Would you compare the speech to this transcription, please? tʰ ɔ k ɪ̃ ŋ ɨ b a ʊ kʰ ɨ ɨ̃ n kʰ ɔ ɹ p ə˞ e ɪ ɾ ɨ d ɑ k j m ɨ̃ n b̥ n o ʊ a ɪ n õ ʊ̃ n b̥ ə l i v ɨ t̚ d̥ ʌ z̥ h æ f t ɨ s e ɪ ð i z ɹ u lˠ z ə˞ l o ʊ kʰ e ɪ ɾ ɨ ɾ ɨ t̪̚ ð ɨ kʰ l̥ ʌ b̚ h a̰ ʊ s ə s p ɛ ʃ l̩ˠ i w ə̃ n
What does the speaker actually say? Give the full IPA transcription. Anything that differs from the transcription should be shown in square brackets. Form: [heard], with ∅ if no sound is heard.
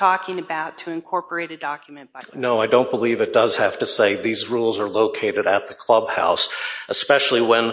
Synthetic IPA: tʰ ɔ k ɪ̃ ŋ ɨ b a ʊ [tʰ] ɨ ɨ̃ n kʰ ɔ ɹ p ə˞ e ɪ ɾ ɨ d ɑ k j m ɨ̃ n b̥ n o ʊ a ɪ [d] õ ʊ̃ n b̥ ə l i v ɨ t̚ d̥ ʌ z̥ h æ f t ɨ s e ɪ ð i z ɹ u lˠ z ə˞ l o ʊ kʰ e ɪ ɾ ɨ ɾ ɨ t̪̚ ð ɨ kʰ l̥ ʌ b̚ h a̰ ʊ s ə s p ɛ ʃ l̩ˠ i w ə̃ n